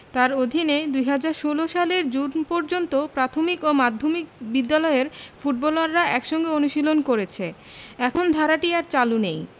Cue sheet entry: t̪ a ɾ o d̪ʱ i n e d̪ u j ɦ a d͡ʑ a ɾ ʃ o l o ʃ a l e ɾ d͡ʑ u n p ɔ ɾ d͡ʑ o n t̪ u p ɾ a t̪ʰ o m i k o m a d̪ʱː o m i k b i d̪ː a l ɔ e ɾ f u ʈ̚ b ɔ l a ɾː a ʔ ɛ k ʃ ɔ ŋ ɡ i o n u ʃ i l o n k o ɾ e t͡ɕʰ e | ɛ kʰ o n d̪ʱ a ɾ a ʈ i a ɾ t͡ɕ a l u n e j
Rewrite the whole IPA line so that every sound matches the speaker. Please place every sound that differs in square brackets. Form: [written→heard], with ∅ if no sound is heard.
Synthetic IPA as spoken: t̪ a ɾ o d̪ʱ i n e d̪ u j ɦ a d͡ʑ a ɾ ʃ o l o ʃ a l e ɾ d͡ʑ u n p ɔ ɾ d͡ʑ o n t̪ [u→o] p ɾ a t̪ʰ o m i k o m a d̪ʱː o m i k b i d̪ː a l ɔ e ɾ f u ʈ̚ b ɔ l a ɾː a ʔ ɛ k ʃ ɔ ŋ ɡ [i→e] o n u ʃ i l o n k o ɾ e t͡ɕʰ e | ɛ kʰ o n d̪ʱ a ɾ a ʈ i a ɾ t͡ɕ a l u n e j